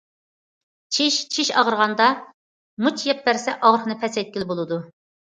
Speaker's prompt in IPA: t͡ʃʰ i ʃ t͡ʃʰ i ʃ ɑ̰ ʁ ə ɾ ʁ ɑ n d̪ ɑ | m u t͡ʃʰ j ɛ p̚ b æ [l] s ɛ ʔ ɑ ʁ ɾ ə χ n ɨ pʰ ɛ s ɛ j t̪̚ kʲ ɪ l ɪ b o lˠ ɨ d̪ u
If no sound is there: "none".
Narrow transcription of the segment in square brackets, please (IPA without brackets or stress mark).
ɾ